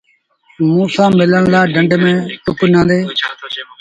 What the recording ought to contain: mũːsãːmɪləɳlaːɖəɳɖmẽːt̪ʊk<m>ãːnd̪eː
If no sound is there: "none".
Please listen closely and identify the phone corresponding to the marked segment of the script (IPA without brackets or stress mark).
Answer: n